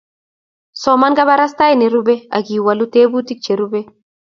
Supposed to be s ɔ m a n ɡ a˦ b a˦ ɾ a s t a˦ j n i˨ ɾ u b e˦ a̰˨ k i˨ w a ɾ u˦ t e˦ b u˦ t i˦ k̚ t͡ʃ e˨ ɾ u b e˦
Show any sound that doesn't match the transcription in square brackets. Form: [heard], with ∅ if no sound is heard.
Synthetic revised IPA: s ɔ m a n ɡ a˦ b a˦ ɾ a s t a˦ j n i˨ ɾ u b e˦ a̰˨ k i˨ w a [l] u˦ t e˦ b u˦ t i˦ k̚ t͡ʃ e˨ ɾ u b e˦